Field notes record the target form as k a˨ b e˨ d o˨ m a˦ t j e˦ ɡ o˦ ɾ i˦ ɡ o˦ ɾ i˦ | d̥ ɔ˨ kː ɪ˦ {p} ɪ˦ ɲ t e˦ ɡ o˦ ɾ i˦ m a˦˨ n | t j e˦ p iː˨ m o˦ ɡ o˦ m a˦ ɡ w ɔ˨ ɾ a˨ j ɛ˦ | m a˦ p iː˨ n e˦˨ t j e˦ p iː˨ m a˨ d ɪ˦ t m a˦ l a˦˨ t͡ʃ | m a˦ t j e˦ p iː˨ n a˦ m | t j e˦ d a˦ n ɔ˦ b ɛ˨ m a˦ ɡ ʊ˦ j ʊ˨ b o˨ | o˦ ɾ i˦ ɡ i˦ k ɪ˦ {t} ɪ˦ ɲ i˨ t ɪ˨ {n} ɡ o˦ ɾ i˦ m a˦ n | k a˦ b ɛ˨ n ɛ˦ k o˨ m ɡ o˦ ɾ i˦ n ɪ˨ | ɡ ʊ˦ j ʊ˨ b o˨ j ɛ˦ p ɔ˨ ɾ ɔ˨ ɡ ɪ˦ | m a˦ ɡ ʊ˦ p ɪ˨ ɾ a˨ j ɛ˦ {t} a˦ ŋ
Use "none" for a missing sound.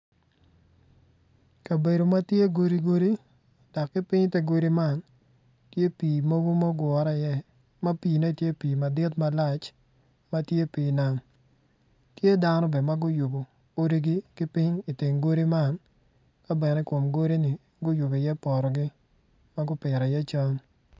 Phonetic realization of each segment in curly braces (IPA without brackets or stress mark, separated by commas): p, p, ŋ, t͡ʃ